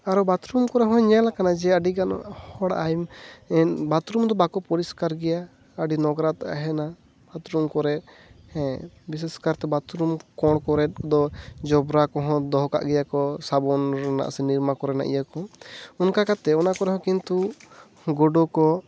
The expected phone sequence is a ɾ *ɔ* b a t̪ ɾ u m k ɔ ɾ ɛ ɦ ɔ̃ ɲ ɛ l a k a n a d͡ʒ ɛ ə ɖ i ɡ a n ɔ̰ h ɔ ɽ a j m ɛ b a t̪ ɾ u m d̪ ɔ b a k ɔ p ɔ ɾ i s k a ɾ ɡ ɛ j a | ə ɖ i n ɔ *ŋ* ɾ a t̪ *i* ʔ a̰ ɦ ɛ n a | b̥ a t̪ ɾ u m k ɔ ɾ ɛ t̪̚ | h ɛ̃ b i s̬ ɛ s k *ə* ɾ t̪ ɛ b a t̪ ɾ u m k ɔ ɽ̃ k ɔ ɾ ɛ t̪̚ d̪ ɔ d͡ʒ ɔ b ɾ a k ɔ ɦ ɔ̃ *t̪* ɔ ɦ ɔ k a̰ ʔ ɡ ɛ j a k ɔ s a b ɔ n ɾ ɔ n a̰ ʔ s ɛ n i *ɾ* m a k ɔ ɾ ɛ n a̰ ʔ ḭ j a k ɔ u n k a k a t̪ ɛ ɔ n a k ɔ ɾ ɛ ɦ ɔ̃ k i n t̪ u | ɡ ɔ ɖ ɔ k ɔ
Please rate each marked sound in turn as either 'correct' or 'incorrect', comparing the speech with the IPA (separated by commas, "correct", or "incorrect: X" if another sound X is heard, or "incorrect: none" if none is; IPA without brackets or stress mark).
correct, incorrect: ɡ, incorrect: a, incorrect: a, incorrect: d̪, correct